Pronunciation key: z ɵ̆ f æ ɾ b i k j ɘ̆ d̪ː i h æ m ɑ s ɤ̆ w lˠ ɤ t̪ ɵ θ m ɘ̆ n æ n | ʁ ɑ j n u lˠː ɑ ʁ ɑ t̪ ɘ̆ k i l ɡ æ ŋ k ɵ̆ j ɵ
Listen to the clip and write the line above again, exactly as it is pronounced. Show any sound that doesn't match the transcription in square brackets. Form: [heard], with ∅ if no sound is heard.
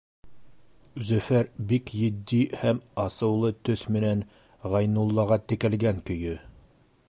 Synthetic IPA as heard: z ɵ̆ f æ ɾ b i k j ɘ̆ d̪ː i h æ m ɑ s ɤ̆ w lˠ ɤ t̪ ɵ θ m ɘ̆ n æ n | ʁ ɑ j n u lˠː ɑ ʁ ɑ t̪ ɘ̆ k [æ] l ɡ æ ŋ k ɵ̆ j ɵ